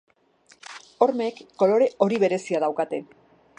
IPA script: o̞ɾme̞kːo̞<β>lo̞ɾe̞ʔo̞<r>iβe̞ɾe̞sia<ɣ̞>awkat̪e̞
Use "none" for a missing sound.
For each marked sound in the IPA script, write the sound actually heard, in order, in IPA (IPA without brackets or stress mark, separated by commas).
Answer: none, ɾ, ð̞